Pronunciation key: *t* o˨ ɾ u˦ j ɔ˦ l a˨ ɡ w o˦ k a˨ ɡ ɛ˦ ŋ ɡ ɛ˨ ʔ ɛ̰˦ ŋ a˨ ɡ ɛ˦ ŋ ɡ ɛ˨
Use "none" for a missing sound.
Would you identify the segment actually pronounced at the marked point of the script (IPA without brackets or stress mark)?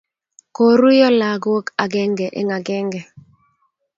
k